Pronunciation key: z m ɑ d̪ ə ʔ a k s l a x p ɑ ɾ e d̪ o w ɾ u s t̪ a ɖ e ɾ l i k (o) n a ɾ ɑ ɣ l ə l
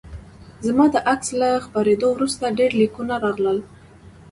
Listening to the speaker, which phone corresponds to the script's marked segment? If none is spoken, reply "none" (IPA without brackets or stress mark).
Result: u